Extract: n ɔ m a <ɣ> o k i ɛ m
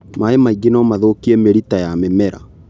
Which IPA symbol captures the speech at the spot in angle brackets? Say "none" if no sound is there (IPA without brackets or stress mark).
ð